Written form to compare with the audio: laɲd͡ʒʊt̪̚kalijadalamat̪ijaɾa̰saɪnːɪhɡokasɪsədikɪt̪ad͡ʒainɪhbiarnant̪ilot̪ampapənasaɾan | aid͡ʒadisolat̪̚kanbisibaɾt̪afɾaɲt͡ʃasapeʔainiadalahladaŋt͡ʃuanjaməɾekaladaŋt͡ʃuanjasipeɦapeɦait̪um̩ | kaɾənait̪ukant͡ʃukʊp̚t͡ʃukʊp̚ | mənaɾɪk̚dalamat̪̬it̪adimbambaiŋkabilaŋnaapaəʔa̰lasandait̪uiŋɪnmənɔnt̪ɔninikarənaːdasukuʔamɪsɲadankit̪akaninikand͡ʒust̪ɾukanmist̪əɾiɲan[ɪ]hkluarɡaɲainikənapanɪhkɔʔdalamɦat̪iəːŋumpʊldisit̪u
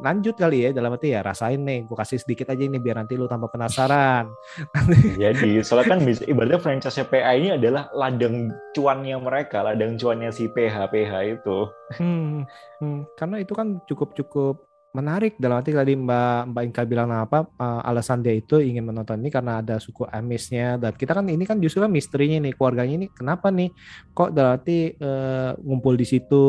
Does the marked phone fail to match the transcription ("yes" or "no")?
no